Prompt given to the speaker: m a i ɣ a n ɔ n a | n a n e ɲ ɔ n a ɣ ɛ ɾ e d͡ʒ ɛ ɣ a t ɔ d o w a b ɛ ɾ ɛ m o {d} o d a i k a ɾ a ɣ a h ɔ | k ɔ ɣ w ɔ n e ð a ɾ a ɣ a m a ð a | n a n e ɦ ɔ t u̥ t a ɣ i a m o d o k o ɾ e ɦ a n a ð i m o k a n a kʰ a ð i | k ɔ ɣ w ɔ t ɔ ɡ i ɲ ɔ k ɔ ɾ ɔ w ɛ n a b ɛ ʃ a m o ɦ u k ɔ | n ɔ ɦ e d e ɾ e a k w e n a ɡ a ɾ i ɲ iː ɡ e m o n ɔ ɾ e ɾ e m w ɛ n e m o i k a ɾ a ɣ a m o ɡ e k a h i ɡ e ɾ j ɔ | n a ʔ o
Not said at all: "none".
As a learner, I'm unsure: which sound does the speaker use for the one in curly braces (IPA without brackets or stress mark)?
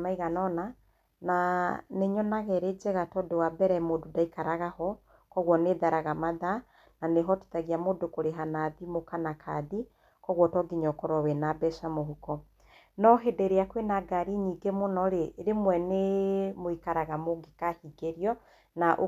d